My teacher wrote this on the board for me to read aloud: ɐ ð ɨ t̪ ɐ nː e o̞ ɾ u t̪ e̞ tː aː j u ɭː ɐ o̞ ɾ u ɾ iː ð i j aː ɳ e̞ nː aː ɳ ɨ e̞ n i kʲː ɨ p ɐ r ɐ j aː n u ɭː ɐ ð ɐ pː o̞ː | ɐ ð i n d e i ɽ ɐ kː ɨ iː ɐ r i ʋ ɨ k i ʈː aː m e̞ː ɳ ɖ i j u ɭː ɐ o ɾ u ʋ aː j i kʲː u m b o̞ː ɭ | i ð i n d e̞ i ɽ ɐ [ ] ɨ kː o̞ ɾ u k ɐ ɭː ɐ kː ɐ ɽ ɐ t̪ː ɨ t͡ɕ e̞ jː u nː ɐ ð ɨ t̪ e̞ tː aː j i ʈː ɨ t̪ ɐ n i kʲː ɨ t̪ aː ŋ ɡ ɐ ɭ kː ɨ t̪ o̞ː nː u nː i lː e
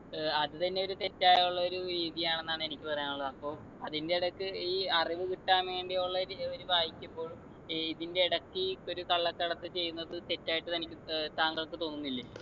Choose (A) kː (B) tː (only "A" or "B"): A